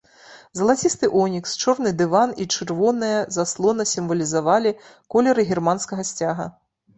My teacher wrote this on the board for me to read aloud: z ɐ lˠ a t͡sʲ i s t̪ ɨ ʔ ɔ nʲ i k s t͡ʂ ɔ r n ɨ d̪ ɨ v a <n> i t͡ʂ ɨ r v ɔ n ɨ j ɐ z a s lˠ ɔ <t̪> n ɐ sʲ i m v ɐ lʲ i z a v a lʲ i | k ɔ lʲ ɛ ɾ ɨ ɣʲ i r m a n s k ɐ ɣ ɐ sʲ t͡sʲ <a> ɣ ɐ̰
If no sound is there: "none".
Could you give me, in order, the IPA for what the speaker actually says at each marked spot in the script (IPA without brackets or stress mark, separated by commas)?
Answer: n, none, a